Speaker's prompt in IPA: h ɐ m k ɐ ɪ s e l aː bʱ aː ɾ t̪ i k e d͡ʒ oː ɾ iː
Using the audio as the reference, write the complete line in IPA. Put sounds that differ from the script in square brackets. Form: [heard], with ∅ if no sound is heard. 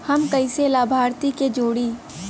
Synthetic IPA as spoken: h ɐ m k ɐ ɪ s e l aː bʱ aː ɾ t̪ i k e d͡ʒ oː [ɽ] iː